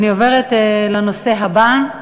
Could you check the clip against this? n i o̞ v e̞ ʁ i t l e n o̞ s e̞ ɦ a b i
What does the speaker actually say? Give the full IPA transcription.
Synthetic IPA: n i o̞ v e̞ ʁ e t l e n o̞ s e̞ ɦ a b a

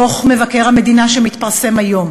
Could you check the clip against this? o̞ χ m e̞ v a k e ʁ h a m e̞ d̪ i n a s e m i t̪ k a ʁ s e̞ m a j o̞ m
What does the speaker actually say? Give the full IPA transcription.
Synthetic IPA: o̞ χ m e̞ v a k e ʁ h a m e̞ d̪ i n a ʃ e m i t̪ p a ʁ s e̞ m a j o̞ m

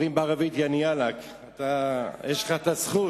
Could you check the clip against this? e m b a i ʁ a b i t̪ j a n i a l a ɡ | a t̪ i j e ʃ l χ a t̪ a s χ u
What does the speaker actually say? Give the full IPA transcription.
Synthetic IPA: i m b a a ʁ a v i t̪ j a n i a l a k | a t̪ a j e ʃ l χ a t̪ a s χ u

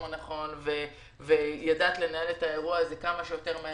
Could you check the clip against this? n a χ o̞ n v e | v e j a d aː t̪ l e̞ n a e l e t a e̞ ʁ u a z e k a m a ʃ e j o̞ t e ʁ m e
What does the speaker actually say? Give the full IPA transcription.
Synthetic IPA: n a χ o̞ n v e | v e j a d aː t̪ l e̞ n a e l e t a e̞ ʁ u a z e k a m a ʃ e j o̞ t e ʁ m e

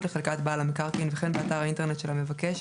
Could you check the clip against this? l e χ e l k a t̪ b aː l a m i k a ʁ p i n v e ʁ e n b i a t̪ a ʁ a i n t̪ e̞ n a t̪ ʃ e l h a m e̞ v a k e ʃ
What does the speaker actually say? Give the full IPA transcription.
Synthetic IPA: l e χ e l k a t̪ b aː l a m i k a ʁ k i n v e χ e n b e a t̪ a ʁ a i n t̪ e̞ n e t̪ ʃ e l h a m e̞ v a k e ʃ

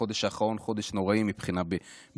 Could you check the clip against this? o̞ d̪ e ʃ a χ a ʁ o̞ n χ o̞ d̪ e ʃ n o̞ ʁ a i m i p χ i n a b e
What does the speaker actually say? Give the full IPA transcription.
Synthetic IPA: o̞ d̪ e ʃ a χ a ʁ o̞ n χ o̞ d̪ e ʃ n o̞ ʁ a i m i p χ i n a b e

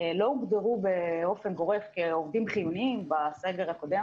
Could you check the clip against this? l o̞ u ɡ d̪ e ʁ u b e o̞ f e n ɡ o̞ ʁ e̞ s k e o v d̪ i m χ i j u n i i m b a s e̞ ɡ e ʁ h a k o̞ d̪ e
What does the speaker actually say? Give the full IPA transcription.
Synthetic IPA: l o̞ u ɡ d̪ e ʁ u b e o̞ f e n ɡ o̞ ʁ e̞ f k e o v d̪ i m χ i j u n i i m b a s e̞ ɡ e ʁ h a k o̞ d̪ e

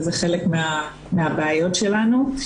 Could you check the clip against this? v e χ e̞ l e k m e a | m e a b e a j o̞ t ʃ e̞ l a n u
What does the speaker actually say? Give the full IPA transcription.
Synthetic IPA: z e χ e̞ l e k m e a | m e a b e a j o̞ t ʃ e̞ l a n u

